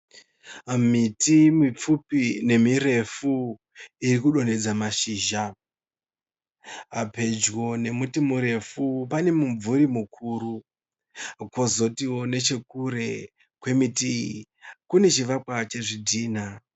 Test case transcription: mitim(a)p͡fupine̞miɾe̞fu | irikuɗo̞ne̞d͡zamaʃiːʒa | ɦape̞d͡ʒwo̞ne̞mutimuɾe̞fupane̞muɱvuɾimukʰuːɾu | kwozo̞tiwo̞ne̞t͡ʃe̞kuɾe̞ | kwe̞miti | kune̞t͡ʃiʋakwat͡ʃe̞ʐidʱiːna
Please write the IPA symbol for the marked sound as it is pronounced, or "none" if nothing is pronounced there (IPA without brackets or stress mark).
i